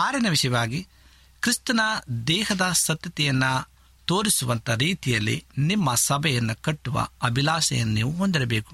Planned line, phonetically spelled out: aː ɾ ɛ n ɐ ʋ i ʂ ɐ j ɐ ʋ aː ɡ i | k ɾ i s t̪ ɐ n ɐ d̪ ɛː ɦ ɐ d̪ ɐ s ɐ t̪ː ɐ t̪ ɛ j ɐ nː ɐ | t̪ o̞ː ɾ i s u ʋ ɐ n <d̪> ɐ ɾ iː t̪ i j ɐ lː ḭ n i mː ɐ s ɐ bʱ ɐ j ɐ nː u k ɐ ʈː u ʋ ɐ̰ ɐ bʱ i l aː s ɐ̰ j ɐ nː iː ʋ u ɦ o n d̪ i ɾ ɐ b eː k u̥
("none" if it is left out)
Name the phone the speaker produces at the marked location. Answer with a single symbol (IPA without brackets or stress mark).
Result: t̪